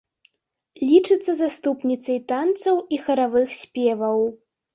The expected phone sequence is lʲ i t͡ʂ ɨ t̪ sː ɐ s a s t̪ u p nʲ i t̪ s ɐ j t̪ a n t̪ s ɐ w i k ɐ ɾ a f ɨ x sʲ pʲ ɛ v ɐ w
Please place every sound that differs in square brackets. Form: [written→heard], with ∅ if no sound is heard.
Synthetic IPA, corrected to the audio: lʲ i t͡ʂ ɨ t̪ sː ɐ [s→z] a s t̪ u p nʲ i t̪ s ɐ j t̪ a n t̪ s ɐ w i [k→x] ɐ ɾ a [f→v] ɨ x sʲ pʲ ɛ v ɐ w